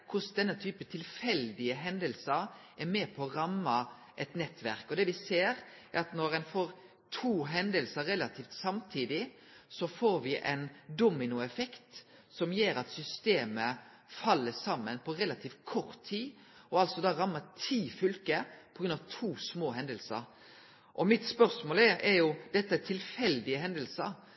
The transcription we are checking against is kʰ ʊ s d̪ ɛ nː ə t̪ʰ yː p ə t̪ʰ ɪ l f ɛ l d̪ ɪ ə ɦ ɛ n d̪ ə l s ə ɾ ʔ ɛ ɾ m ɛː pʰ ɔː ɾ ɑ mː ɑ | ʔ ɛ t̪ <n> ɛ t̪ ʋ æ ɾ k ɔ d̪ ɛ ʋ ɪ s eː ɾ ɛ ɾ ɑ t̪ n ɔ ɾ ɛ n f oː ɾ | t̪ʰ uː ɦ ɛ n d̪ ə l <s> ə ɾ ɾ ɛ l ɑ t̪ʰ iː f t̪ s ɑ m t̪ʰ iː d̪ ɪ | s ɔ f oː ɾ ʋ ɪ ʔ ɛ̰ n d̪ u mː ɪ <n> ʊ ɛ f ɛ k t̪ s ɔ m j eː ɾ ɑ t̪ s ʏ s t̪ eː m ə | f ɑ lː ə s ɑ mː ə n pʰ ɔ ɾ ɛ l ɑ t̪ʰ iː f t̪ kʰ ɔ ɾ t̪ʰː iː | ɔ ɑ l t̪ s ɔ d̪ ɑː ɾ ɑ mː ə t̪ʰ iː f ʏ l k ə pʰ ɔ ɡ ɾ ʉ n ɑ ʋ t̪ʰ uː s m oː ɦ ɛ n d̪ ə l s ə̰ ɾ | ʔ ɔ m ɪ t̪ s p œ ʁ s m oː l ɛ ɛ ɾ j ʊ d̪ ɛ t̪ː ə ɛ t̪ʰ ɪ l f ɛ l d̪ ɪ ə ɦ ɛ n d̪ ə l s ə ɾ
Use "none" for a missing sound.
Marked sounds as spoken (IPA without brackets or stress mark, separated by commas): n, s, n